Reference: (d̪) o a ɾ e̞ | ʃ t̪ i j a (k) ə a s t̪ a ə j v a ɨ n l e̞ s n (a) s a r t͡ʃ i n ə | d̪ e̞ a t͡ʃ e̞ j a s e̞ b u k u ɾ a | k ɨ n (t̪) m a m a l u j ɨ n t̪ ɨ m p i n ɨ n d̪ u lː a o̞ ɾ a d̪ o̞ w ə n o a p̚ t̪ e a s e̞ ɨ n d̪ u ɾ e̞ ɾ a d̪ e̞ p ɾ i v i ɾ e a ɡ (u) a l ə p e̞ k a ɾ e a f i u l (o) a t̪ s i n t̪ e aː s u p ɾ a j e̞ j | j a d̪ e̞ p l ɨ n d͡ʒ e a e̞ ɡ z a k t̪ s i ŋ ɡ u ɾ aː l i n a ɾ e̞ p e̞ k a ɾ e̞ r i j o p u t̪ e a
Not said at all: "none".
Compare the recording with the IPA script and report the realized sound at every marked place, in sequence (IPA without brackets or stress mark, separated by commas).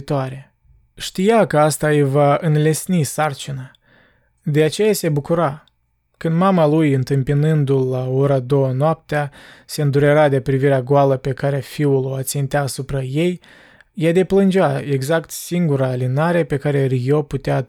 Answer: t̪, k, i, d̪, o, o